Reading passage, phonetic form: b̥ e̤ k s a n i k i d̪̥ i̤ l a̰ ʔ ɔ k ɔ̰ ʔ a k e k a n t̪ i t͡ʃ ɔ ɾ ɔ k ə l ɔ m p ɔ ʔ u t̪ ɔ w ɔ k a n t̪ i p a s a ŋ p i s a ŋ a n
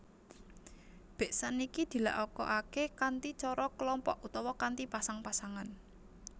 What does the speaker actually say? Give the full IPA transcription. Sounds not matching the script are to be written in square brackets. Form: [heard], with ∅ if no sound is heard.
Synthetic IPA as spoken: b̥ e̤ [ʔ] s a n i k i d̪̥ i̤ l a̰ ʔ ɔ k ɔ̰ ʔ a k e k a n t̪ i t͡ʃ ɔ ɾ ɔ k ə l ɔ m p ɔ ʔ u t̪ ɔ w ɔ k a n t̪ i p a s a ŋ p [a] s a ŋ a n

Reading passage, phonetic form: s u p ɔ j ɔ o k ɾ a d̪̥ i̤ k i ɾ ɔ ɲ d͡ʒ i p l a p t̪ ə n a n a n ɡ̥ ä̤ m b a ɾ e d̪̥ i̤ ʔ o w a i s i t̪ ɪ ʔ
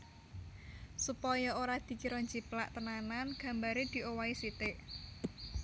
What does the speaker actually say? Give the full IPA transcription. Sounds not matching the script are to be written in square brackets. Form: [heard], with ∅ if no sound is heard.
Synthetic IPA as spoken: s u p ɔ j ɔ o [∅] ɾ a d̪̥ i̤ k i ɾ ɔ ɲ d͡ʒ i p l a [ʔ] t̪ ə n a n a n ɡ̥ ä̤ m b a ɾ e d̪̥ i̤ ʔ o w a i s i t̪ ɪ ʔ

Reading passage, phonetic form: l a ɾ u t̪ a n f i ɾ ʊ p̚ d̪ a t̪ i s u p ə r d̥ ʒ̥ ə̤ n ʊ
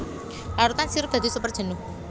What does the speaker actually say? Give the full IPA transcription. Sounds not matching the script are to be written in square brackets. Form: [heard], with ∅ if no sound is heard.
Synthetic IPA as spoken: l a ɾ u t̪ a n [s] i ɾ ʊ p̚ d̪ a [d̪] i s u p ə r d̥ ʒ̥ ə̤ n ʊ

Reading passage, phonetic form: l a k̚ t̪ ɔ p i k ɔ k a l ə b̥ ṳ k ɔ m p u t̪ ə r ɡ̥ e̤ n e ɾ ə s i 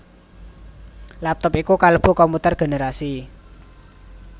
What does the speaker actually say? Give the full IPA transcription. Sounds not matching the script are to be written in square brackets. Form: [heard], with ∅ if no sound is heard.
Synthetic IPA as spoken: l a [p̚] t̪ ɔ p i k [u] k a l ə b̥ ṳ k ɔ m p u t̪ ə r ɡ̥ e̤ n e ɾ [a] s i

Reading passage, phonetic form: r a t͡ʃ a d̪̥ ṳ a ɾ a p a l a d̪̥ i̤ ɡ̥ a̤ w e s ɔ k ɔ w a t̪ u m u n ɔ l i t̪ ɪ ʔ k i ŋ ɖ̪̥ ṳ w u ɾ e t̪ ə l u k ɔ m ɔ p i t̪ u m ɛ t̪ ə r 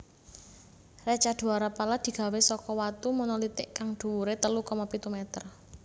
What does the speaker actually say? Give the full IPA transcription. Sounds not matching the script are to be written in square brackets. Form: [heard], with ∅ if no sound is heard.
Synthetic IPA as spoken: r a t͡ʃ a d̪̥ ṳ a ɾ a p a l a d̪̥ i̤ ɡ̥ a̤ w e s ɔ k ɔ w a t̪ u m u n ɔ l i t̪ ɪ ʔ k [a] ŋ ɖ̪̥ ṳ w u ɾ e t̪ ə l u k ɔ m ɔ p i t̪ u m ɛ t̪ ə r

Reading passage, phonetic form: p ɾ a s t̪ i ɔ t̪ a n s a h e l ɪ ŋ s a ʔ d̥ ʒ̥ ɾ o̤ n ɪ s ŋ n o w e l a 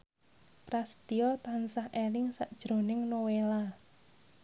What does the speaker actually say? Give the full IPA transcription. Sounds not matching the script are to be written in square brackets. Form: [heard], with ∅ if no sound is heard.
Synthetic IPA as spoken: p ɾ a s t̪ i ɔ t̪ a n s a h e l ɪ ŋ s a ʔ d̥ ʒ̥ ɾ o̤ n ɪ [∅] ŋ n o w e l a

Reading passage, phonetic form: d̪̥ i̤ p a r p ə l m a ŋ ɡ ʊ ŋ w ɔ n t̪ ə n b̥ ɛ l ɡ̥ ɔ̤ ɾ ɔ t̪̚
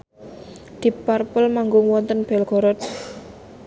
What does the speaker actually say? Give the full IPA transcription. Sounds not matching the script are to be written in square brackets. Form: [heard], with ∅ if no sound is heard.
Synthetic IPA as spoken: d̪̥ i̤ p a r p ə l m a ŋ ɡ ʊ ŋ w ɔ n t̪ ə n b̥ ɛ l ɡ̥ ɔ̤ ɾ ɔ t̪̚

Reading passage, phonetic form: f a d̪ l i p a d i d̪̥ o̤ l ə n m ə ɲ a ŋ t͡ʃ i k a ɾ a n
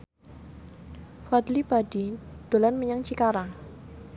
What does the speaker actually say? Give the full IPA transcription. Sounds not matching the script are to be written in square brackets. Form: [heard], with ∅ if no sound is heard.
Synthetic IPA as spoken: f a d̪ l i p a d i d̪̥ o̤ l [a] n m ə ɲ a ŋ t͡ʃ i k a ɾ a [ŋ]

